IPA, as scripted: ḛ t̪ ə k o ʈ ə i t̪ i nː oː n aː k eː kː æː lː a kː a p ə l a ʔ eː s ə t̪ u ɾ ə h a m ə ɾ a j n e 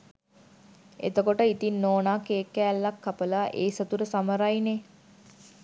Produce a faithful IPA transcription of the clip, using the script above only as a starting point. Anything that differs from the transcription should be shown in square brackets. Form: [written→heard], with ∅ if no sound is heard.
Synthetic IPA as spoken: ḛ t̪ ə k o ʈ ə i t̪ i nː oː n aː k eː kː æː lː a kː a p ə l a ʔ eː s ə t̪ u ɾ ə [h→s] a m ə ɾ a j n e